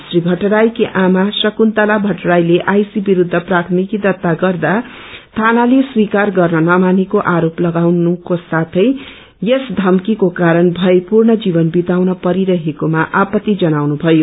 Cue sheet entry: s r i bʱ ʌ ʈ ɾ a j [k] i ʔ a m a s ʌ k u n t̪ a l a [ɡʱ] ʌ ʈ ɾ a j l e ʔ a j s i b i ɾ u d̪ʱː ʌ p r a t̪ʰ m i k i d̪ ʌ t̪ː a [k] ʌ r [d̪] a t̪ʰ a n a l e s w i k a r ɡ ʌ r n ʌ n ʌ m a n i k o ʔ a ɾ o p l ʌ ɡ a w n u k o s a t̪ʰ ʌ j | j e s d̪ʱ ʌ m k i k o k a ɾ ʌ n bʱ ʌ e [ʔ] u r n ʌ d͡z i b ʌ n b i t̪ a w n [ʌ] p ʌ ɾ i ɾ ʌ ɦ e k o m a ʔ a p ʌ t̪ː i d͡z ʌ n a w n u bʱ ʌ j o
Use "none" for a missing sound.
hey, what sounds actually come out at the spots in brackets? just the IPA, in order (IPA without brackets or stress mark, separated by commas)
k, bʱ, ɡ, d̪, p, ʌ